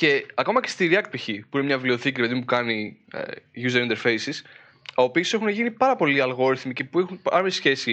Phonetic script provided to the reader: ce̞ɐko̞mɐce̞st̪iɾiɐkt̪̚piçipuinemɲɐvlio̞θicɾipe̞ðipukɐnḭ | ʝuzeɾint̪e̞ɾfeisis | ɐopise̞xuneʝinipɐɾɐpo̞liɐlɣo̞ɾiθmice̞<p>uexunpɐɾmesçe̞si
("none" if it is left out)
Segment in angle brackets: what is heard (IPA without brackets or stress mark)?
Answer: p